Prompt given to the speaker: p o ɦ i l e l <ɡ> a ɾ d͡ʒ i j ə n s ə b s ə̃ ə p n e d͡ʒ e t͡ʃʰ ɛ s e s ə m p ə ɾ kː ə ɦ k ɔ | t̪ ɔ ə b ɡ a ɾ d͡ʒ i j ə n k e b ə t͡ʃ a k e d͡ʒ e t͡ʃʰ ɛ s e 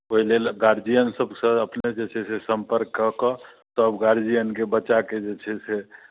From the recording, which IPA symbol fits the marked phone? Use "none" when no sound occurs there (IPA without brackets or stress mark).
ɡ